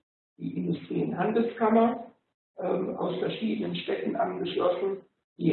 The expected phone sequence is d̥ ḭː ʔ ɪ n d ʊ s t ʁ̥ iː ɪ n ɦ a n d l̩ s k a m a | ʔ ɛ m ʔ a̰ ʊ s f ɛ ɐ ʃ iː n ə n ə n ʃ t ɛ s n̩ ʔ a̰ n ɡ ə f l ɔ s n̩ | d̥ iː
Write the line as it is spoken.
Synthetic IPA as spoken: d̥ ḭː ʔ ɪ n d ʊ s t ʁ̥ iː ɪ n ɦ a n d l̩ s k a m ɐ | ʔ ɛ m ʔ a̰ ʊ s f ɛ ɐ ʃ iː d ə n ə n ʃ t ɛ t n̩ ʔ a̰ n ɡ ə ʃ l ɔ s n̩ | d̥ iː